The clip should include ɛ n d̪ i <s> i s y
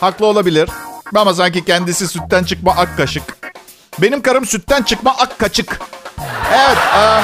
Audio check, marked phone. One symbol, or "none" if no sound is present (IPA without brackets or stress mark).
s